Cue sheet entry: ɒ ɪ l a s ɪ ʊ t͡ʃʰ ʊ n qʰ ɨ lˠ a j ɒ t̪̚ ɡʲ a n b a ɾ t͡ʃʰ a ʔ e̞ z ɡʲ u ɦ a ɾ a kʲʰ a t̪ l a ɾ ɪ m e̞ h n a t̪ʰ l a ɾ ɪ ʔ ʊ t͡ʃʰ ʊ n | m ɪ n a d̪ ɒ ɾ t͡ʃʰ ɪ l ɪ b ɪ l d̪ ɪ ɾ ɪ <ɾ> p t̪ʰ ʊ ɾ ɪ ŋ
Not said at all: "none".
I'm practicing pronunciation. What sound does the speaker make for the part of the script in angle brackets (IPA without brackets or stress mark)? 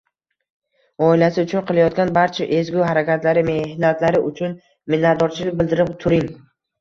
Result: none